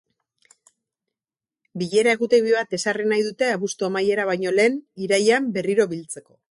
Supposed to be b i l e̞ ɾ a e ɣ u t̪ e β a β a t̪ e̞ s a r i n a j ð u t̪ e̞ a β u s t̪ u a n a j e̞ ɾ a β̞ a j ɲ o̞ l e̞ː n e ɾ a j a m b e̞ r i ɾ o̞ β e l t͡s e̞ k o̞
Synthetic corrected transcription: b i ʎ e̞ ɾ a e ɣ u t̪ e β i β a t̪ e̞ s a r i n a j ð u t̪ e̞ a β u s t̪ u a m a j e̞ ɾ a β̞ a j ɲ o̞ l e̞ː n i ɾ a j a m b e̞ r i ɾ o̞ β i l t͡s e̞ k o̞